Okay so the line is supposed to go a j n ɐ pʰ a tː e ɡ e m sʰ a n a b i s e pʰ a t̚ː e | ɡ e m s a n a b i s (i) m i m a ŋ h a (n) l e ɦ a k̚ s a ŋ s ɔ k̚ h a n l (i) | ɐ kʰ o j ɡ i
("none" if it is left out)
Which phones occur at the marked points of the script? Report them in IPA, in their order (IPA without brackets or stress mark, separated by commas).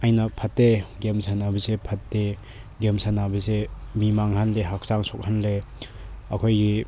e, n, e